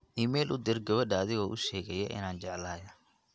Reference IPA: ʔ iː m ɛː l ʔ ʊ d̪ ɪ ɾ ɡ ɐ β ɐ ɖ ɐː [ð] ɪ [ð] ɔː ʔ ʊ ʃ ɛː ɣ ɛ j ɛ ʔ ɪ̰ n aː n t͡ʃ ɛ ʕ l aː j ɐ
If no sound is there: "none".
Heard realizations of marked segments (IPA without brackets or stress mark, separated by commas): ð, ɣ